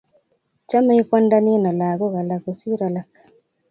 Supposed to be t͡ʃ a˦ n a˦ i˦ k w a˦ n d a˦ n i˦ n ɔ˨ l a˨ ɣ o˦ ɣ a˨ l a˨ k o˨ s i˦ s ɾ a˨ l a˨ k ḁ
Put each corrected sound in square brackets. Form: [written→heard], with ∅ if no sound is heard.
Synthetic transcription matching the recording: t͡ʃ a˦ [n→m] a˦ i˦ k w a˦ n d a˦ n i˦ n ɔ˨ l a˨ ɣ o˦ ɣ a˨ l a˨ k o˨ s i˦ [s→∅] ɾ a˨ l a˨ k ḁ